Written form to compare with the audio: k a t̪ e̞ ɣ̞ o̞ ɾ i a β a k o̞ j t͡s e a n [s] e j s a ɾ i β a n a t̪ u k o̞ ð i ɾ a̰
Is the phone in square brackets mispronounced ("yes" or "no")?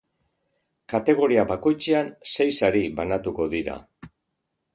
no